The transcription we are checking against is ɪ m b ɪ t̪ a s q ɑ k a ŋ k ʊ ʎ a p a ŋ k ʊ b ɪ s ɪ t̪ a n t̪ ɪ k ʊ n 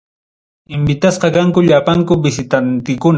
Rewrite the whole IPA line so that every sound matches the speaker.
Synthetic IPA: ɪ m b ɪ t̪ a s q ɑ k a ŋ k ʊ ʎ a p a ŋ k ʊ b ɪ s ɪ t̪ a n t̪ ɪ k ʊ n